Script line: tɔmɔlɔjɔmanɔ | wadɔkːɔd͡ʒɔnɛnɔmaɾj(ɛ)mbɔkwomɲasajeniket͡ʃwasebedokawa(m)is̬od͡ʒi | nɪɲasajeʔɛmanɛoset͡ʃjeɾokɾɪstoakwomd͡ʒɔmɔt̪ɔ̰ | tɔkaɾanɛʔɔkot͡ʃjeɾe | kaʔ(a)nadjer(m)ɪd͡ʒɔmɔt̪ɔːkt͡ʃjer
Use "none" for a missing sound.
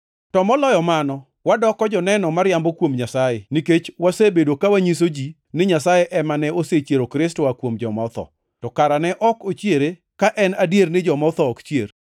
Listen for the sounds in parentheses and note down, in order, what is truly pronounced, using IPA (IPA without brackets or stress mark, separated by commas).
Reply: a, ɲ, ɛ, n